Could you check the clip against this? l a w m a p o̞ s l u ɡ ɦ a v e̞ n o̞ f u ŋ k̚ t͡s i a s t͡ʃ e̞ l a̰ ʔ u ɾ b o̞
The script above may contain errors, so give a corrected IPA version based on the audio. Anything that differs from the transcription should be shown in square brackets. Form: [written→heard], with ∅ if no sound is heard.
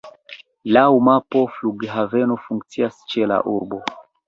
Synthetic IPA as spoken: l a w m a p o̞ [s→f] l u ɡ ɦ a v e̞ n o̞ f u ŋ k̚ t͡s i a s t͡ʃ e̞ l a̰ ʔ u ɾ b o̞

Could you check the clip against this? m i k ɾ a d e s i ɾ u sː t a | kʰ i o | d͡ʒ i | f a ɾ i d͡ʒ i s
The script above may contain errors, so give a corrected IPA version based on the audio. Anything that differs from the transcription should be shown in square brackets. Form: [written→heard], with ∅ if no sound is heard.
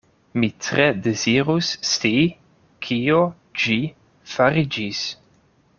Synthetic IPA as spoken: m i [k→t] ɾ [a→e] d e [s→z] i ɾ u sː t [a→i] | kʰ i o | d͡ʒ i | f a ɾ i d͡ʒ i s

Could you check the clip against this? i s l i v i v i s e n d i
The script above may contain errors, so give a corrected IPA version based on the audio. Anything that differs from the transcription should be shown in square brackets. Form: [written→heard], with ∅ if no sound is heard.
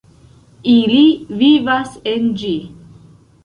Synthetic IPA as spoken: i [s→∅] l i v i v [i→a] s e n [d→d͡ʒ] i

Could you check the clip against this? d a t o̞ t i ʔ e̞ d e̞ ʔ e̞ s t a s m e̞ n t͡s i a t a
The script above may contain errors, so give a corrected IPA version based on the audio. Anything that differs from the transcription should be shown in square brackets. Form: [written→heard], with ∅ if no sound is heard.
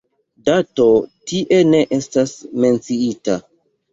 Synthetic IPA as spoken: d a t o̞ t i ʔ e̞ [d→n] e̞ ʔ e̞ s t a s m e̞ n t͡s i [a→i] t a

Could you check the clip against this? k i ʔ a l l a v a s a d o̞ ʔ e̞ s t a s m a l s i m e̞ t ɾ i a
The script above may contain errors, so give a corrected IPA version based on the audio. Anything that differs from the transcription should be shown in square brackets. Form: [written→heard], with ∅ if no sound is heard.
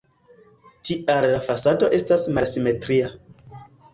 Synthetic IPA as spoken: [k→t] i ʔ a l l a [v→f] a s a d o̞ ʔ e̞ s t a s m a l s i m e̞ t ɾ i a

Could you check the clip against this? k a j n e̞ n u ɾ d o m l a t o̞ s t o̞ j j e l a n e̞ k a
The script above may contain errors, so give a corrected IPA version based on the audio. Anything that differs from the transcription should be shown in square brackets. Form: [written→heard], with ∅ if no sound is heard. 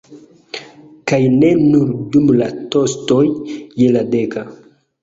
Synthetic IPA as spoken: k a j n e̞ n u ɾ d [o→u] m l a t o̞ s t o̞ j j e l a [n→d] e̞ k a

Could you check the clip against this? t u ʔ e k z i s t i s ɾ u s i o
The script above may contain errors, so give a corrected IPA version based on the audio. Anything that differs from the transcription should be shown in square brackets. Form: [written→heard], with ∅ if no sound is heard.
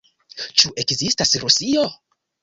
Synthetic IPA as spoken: [t→t͡ʃ] u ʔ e k z i s t [i→a] s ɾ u s i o

